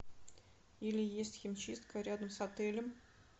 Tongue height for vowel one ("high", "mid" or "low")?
high